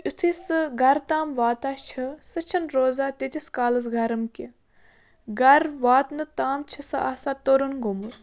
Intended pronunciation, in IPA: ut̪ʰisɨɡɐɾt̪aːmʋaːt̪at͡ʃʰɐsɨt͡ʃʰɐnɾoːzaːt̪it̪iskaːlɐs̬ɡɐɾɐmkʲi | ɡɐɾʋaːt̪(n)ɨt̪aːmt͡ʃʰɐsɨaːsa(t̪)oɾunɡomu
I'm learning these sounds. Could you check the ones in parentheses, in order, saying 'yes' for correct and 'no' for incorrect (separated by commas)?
yes, yes